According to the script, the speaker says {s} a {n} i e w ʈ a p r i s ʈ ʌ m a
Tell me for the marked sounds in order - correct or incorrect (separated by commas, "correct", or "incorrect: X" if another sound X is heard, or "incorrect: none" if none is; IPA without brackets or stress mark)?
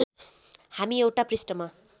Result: incorrect: h, incorrect: m